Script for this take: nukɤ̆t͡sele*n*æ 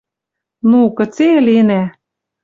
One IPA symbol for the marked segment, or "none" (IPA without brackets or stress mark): n